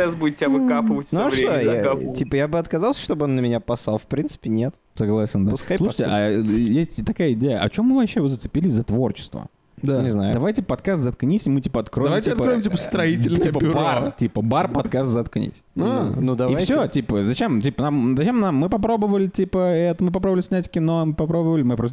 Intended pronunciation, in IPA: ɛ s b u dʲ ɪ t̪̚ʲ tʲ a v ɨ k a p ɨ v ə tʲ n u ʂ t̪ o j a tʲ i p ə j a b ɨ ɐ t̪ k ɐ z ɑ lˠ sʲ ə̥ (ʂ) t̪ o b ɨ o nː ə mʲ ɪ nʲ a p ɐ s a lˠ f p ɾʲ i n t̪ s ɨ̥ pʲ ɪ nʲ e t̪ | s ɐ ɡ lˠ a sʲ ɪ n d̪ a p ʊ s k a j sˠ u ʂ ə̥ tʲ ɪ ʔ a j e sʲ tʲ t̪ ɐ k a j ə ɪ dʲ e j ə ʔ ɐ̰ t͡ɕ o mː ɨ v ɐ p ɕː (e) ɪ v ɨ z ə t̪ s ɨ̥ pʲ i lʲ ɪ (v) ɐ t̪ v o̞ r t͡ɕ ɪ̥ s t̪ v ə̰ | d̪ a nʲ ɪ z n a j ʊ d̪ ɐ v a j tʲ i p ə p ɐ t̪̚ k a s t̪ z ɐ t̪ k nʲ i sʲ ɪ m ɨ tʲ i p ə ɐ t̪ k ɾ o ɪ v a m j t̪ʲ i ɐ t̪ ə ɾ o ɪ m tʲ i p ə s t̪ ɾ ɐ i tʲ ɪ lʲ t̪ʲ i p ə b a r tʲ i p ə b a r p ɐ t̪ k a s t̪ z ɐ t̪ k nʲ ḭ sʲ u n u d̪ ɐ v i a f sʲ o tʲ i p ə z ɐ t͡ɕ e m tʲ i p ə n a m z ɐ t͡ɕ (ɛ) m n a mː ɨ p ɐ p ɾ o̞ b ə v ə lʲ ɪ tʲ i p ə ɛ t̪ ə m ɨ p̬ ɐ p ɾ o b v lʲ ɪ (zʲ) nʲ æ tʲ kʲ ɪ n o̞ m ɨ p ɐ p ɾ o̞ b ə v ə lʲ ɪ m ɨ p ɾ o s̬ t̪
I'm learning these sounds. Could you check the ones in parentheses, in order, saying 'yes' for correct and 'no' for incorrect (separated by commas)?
yes, yes, no, no, no